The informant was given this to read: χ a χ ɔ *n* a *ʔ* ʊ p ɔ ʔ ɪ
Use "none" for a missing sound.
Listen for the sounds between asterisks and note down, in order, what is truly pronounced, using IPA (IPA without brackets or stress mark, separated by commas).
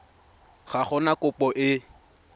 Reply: n, k